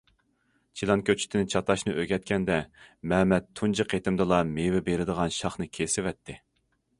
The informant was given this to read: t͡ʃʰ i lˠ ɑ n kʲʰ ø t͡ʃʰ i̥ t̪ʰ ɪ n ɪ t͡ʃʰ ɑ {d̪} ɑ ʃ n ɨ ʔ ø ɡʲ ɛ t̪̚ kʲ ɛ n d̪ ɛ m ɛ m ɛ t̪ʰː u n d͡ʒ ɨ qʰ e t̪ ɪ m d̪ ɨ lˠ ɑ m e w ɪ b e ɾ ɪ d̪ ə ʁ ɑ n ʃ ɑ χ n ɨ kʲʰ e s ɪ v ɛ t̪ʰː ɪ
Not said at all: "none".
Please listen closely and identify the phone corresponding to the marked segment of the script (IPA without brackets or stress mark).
t̪